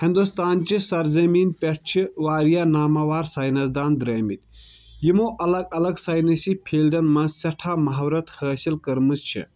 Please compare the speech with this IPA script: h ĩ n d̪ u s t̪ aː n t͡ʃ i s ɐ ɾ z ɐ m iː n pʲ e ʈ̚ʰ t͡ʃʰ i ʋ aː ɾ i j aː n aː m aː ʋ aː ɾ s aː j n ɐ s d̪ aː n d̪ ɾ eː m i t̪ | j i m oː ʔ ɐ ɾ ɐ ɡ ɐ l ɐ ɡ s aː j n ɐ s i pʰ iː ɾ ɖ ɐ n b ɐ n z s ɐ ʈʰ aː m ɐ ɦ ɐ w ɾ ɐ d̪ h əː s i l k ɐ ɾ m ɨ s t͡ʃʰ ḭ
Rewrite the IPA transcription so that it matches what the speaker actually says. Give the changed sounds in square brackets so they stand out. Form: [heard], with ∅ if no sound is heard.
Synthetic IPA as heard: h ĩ n d̪ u s t̪ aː n t͡ʃ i s ɐ ɾ z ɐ m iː n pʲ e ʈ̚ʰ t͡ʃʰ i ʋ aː ɾ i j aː n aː m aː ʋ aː ɾ s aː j n ɐ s d̪ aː n d̪ ɾ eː m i t̪ | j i m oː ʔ ɐ [l] ɐ ɡ ɐ l ɐ ɡ s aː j n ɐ s i pʰ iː [l] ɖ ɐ n [m] ɐ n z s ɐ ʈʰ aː m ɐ ɦ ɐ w ɾ ɐ [t̪] h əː s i l k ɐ ɾ m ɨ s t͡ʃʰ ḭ